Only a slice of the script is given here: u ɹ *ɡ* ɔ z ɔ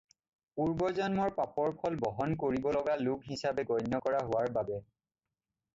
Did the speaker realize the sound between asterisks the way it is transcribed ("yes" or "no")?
no